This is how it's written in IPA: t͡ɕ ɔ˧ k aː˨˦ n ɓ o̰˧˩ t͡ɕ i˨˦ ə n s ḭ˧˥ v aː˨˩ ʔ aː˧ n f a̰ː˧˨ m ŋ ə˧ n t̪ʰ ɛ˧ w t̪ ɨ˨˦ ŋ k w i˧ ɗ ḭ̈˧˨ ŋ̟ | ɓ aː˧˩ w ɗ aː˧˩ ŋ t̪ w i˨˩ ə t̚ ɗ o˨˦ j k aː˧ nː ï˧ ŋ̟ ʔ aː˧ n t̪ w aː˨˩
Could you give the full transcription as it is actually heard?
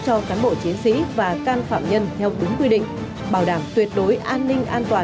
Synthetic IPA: t͡ɕ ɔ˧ k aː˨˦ n ɓ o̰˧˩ t͡ɕ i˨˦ ə n s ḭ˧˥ v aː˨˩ k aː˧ n f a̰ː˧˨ m ɲ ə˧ n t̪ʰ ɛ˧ w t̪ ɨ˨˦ ŋ k w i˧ ɗ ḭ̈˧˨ ŋ̟ | ɓ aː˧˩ w ɗ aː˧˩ m t̪ w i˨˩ ə t̚ ɗ o˨˦ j ʔ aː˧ nː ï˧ ŋ̟ ʔ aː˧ n t̪ w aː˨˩